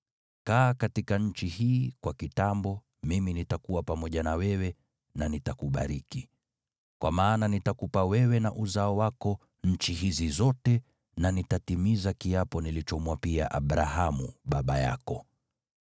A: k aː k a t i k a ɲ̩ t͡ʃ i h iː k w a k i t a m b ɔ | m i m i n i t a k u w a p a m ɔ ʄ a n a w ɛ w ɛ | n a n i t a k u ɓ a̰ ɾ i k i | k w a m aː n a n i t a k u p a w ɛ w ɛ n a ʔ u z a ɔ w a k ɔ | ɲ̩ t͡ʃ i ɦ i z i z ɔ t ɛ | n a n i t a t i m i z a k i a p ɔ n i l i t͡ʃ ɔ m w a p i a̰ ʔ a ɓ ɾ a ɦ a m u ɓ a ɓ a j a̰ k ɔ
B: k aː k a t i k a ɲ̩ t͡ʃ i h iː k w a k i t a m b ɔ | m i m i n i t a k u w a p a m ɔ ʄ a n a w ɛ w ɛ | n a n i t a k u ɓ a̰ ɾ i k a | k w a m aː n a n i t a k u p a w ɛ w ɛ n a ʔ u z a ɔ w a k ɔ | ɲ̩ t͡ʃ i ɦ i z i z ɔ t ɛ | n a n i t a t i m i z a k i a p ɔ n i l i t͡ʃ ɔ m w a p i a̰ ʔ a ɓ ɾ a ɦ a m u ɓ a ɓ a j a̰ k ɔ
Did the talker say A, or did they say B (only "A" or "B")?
A